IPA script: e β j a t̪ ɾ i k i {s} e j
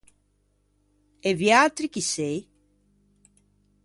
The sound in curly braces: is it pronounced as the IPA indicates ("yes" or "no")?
yes